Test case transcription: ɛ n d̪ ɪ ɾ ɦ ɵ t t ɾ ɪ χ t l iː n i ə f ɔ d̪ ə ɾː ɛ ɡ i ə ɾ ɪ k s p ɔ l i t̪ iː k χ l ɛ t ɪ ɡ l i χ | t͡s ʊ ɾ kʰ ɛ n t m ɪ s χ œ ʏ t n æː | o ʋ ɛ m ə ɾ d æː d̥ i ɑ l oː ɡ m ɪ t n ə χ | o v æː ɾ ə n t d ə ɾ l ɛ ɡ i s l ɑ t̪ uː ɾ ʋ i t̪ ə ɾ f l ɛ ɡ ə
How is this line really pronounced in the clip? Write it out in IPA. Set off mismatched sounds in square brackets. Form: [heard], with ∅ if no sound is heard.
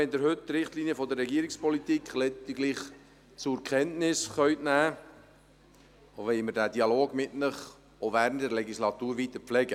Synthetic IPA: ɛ n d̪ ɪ ɾ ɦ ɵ t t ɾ ɪ χ t l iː n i ə f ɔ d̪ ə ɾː ɛ ɡ i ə ɾ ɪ k s p ɔ l i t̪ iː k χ l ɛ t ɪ ɡ l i χ | t͡s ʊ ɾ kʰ ɛ n t [n] ɪ s χ œ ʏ t n æː | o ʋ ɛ m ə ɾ d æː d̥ i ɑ l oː ɡ m ɪ t n ə χ | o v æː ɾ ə n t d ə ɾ l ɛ ɡ i s l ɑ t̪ uː ɾ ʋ i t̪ ə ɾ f l ɛ ɡ ə